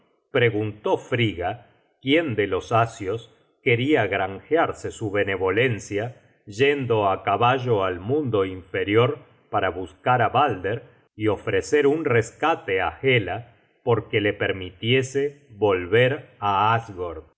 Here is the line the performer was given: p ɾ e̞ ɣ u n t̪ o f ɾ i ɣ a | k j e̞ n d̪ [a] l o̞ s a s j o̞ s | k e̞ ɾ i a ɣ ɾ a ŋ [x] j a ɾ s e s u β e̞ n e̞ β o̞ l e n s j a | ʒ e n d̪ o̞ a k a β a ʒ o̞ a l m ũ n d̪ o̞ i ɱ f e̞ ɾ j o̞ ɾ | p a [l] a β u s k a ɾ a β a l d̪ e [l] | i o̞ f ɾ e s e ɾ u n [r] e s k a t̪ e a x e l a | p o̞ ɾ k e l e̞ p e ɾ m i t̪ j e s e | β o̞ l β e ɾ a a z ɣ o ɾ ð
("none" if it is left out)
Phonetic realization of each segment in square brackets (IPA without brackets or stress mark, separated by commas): e, x, ɾ, ɾ, r